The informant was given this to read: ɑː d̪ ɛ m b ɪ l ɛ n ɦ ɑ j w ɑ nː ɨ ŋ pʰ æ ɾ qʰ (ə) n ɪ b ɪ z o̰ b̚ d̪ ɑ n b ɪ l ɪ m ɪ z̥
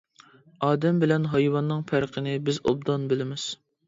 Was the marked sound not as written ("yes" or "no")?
no